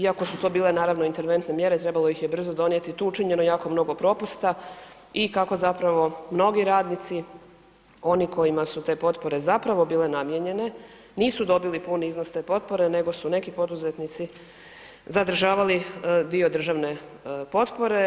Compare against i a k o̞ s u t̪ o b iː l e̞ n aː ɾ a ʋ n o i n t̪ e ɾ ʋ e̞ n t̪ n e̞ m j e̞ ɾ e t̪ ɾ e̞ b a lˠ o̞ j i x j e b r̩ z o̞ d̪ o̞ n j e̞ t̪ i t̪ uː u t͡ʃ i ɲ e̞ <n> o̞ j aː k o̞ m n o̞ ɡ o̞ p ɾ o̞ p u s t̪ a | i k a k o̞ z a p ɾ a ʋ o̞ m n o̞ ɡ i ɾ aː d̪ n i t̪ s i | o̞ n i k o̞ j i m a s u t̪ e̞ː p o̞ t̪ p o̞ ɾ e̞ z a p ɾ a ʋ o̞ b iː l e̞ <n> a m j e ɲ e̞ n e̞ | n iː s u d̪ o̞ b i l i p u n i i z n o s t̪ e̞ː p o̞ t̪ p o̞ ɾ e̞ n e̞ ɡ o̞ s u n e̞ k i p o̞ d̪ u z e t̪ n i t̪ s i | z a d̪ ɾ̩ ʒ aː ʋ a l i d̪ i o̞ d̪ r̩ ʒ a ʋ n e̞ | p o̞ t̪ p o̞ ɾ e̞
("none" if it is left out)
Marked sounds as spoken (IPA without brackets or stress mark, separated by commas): n, n